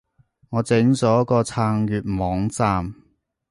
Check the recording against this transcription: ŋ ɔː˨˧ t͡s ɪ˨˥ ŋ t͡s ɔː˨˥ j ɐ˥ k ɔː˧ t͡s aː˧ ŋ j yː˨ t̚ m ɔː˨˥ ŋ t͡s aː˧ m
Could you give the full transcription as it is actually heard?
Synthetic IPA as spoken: ŋ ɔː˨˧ t͡s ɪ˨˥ ŋ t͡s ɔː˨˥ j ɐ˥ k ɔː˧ t͡sʰ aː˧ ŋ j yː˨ t̚ m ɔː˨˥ ŋ t͡s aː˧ m